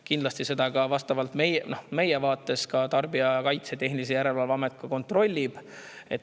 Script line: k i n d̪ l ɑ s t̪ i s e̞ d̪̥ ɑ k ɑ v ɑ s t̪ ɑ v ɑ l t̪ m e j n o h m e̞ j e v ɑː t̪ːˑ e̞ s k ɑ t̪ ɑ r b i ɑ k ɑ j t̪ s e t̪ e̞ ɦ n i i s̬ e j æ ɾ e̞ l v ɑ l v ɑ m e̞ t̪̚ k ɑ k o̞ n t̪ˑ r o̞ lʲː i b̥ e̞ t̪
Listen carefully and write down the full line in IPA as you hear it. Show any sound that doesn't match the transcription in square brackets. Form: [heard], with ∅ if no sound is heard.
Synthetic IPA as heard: k i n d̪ l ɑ s t̪ i s e̞ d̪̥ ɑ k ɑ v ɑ s t̪ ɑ v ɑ l t̪ m e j n o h m e̞ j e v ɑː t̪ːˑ e̞ s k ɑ t̪ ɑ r b i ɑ k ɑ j t̪ s e t̪ e̞ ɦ n i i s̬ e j æ ɾ e̞ l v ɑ l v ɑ m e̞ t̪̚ k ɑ k o̞ n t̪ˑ r o̞ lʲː i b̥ e̞ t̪